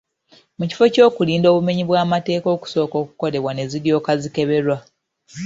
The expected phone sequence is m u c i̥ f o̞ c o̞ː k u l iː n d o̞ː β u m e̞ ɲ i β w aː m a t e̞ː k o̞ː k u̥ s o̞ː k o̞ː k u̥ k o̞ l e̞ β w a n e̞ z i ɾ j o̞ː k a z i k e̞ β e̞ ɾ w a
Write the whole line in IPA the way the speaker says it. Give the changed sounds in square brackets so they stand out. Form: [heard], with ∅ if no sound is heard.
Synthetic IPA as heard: m u c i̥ f o̞ c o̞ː k u l iː n d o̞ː β u m e̞ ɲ i β w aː m a t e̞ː k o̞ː k u̥ s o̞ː k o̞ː k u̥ k o̞ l e̞ β w a n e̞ z i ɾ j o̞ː k a z i k e̞ β e̞ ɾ w a